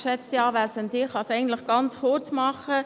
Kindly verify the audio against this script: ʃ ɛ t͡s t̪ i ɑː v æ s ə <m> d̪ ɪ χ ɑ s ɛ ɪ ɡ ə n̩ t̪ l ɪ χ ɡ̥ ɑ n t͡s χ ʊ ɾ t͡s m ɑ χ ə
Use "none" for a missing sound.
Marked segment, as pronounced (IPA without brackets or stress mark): n